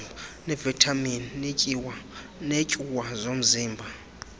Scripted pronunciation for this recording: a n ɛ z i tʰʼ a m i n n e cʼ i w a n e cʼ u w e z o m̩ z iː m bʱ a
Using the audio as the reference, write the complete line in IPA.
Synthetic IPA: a n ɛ v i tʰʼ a m i n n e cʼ i w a n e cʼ u w a z o m̩ z iː m bʱ a

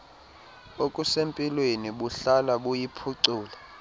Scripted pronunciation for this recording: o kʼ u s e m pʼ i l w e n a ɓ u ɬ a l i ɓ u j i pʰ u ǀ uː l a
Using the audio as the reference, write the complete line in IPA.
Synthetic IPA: o kʼ u s e m pʼ i l w e n i ɓ u ɬ a l a ɓ u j i pʰ u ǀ uː l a

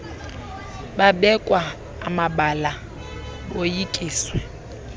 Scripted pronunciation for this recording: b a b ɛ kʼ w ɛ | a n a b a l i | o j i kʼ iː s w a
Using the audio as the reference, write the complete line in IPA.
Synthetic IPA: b a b ɛ kʼ w a | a m a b a l a | o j i kʼ iː s w ɛ

